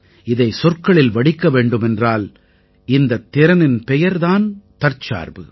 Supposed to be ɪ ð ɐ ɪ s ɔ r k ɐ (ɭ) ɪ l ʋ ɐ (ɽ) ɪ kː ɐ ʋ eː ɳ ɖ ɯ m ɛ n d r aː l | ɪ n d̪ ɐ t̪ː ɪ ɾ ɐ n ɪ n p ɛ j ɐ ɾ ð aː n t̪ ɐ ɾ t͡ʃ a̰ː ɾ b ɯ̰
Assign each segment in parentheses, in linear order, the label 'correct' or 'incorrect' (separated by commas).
correct, correct